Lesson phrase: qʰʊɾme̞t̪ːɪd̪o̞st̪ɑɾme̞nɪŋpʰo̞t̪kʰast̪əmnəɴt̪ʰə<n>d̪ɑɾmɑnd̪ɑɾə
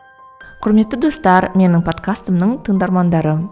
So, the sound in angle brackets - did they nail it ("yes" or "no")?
no